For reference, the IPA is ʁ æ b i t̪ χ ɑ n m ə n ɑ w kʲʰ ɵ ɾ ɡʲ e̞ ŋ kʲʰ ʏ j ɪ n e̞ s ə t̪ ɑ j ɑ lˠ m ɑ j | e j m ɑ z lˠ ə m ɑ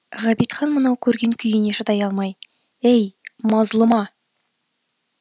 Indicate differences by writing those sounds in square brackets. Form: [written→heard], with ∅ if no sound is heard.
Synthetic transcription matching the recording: ʁ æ b i t̪ χ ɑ n m ə n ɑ w kʲʰ ɵ ɾ ɡʲ e̞ ŋ kʲʰ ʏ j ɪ n e̞ [s→ʃ] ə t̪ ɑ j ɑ lˠ m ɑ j | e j m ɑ z lˠ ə m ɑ